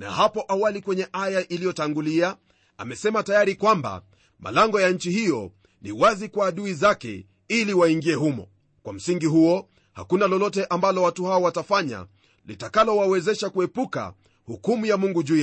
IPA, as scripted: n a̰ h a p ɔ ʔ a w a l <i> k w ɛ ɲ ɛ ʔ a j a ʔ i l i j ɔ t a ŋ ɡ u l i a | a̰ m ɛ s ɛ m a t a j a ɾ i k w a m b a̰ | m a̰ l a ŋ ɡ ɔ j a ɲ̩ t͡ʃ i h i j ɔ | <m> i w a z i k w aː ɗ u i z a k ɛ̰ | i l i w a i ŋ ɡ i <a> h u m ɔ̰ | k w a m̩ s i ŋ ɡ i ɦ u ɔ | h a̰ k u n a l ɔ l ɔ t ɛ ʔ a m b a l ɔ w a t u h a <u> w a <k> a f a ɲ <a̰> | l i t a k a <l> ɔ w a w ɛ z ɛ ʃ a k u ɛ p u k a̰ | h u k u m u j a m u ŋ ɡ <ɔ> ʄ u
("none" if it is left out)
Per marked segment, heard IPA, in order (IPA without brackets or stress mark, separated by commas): i, n, ɛ, ɔ, t, a̰, l, u